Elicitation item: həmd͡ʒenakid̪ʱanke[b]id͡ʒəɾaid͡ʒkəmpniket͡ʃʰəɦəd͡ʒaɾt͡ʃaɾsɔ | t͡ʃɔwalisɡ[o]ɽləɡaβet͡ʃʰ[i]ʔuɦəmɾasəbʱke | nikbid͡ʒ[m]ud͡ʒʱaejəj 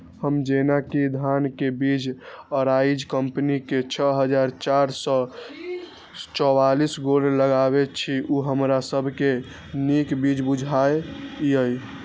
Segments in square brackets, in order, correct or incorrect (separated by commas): correct, correct, correct, incorrect